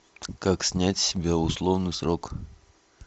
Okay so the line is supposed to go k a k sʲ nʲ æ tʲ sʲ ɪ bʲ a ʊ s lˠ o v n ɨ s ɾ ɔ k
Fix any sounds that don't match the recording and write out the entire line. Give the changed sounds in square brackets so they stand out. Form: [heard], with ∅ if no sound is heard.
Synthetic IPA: k a k sʲ nʲ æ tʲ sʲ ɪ bʲ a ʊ s lˠ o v n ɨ s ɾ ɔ k